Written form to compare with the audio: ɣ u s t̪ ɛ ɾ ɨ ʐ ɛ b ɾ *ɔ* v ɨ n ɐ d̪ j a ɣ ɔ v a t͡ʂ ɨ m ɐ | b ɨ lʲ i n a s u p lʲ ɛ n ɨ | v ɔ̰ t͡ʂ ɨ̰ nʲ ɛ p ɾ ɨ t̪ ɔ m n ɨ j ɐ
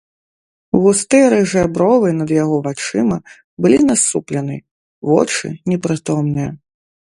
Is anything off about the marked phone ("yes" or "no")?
no